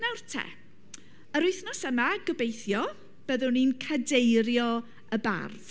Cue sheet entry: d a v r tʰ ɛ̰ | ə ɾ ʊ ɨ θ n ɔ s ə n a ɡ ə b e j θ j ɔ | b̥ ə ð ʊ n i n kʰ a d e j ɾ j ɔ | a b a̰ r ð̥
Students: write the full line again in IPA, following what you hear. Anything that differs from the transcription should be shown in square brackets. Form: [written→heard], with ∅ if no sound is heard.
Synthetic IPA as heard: [d→n] a [v→w] r tʰ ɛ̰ | ə ɾ ʊ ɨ θ n ɔ s ə [n→m] a ɡ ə b e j θ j ɔ | b̥ ə ð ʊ n i n kʰ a d e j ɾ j ɔ | [a→ə] b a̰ r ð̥